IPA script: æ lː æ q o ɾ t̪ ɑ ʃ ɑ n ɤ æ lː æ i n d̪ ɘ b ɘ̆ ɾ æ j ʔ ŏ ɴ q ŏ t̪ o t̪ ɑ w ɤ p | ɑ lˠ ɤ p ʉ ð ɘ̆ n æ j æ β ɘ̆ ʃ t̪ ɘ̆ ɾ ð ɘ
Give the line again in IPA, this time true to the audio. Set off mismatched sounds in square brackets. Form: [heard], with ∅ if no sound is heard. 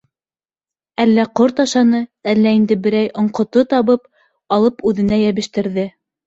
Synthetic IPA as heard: æ lː æ q o ɾ t̪ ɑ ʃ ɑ n ɤ æ lː æ i n d̪ ɘ b ɘ̆ ɾ æ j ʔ ŏ ɴ q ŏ t̪ o t̪ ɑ [β] ɤ p | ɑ lˠ ɤ p ʉ ð ɘ̆ n æ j æ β ɘ̆ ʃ t̪ ɘ̆ ɾ ð ɘ